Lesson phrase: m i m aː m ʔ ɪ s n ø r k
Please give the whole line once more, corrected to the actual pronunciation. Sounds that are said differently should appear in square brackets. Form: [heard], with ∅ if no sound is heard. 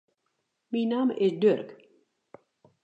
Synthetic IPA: m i [n] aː m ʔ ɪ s [d] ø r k